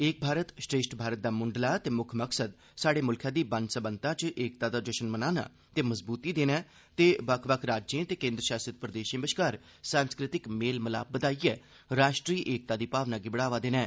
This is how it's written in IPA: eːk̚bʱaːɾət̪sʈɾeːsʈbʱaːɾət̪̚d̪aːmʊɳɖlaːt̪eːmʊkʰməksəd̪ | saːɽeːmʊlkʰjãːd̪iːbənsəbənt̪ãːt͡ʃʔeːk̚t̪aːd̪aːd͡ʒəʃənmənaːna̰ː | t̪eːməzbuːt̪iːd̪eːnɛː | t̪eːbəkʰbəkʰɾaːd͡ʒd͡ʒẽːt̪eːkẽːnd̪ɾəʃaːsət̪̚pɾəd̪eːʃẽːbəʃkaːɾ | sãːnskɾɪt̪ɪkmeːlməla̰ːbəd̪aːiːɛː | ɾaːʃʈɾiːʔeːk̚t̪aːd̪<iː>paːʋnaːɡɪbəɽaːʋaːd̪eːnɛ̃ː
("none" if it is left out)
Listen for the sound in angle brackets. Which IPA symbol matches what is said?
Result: iː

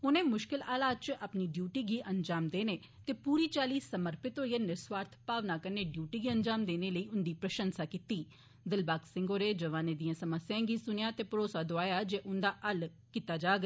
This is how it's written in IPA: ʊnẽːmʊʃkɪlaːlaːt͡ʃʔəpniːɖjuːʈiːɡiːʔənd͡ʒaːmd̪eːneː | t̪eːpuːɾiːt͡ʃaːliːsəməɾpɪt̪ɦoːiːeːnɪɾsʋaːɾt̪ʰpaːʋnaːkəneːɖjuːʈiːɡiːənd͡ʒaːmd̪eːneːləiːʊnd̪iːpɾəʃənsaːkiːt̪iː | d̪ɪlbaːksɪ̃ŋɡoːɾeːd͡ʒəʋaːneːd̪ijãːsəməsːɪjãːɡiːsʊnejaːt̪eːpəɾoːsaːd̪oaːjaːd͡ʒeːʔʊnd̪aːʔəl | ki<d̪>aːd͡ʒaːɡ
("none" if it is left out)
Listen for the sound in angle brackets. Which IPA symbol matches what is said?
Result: t̪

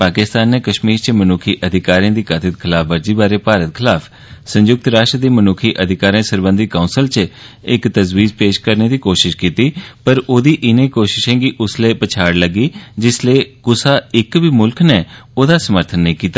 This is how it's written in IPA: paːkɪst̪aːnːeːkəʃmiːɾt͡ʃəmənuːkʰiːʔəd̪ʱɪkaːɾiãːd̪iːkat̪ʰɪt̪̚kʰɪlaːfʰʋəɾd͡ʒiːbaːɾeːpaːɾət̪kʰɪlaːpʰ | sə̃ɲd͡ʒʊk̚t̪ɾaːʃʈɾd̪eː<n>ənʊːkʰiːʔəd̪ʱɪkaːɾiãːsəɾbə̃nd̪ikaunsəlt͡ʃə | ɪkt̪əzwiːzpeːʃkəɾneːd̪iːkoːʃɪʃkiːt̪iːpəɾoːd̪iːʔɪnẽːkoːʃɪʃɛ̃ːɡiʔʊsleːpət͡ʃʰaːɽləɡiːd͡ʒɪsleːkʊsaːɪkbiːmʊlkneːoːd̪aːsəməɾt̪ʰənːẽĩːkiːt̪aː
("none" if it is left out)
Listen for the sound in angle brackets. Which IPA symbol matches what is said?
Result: m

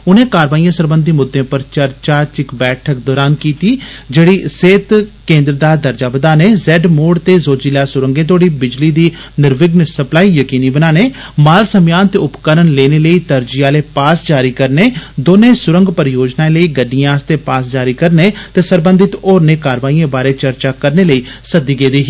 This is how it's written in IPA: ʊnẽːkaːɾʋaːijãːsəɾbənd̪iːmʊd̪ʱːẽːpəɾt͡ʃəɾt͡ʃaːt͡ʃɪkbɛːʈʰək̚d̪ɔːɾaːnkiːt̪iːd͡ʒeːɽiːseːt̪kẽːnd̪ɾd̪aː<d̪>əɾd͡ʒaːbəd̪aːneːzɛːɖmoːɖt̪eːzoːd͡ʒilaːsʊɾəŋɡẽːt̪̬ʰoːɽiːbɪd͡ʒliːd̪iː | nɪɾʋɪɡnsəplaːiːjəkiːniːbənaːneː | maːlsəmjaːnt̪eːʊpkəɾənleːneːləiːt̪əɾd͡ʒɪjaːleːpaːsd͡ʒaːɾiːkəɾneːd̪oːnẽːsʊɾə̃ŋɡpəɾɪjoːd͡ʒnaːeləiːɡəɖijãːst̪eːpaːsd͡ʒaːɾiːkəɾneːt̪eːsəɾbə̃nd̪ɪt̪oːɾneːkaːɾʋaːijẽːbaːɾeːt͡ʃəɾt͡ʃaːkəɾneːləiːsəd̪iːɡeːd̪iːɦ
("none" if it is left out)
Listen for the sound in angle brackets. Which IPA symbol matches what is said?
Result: d̪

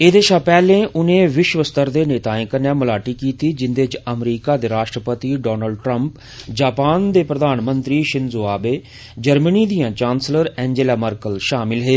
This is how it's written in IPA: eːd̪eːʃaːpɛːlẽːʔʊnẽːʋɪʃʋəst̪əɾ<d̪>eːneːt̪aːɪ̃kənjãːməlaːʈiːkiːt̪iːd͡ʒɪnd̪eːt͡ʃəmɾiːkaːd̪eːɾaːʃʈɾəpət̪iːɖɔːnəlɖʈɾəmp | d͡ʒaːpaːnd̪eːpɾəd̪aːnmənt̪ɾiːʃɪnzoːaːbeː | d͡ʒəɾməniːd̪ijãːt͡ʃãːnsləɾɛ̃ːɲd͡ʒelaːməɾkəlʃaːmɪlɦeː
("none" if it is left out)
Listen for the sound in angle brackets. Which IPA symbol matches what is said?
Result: d̪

